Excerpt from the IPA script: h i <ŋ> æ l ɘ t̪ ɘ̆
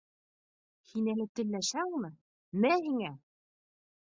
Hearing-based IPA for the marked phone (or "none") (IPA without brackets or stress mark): n